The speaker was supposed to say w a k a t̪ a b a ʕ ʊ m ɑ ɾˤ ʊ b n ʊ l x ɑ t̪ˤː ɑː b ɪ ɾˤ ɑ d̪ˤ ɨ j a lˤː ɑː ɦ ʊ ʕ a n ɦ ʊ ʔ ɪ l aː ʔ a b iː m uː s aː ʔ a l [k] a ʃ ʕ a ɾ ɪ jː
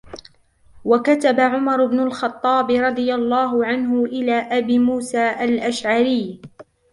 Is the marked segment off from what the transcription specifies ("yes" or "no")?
yes